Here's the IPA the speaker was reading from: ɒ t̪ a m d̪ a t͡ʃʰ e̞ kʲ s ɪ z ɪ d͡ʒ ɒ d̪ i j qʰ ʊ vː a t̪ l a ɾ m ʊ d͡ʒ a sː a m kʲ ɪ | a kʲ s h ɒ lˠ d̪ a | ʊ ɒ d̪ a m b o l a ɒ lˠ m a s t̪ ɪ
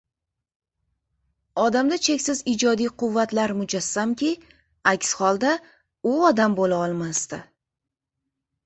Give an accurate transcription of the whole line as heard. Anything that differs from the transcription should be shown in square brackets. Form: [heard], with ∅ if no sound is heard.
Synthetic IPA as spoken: ɒ [d̪] a m d̪ a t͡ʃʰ e̞ kʲ s ɪ z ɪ d͡ʒ ɒ d̪ i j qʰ ʊ vː a t̪ l a ɾ m ʊ d͡ʒ a sː a m kʲ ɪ | a kʲ s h ɒ lˠ d̪ a | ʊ ɒ d̪ a m b o l a ɒ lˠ m a s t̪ ɪ